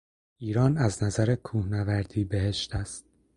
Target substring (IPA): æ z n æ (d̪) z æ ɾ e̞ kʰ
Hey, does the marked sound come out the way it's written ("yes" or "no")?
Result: no